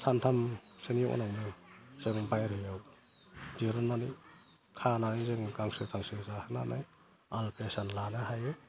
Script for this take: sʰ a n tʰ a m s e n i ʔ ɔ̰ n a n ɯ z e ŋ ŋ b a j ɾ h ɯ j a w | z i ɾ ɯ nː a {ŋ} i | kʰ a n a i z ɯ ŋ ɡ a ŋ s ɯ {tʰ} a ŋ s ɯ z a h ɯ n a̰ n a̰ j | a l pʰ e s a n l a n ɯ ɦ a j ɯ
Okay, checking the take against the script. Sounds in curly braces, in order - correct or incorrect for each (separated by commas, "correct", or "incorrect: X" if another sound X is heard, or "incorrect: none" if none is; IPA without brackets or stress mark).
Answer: incorrect: n, correct